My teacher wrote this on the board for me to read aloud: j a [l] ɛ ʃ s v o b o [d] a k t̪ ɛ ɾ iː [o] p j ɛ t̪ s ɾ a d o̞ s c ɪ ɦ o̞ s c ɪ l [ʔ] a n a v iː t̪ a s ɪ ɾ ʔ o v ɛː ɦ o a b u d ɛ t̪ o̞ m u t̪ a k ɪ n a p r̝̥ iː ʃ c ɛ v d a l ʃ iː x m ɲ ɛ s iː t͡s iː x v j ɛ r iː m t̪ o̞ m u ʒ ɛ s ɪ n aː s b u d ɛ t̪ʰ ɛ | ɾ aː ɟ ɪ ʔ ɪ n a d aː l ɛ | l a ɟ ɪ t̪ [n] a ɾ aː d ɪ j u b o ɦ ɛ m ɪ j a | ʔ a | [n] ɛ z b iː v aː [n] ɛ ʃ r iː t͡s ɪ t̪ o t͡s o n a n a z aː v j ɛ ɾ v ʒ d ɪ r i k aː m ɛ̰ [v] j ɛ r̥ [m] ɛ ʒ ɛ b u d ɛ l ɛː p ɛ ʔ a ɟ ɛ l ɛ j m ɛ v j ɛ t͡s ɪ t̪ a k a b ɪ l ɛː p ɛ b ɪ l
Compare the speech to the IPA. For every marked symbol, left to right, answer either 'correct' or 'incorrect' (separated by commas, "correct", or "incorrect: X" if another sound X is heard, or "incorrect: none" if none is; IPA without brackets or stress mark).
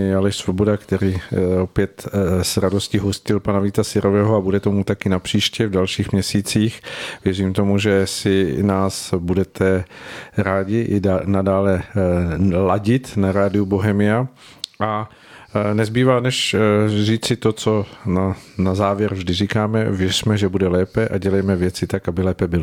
correct, correct, correct, incorrect: p, correct, correct, correct, correct, correct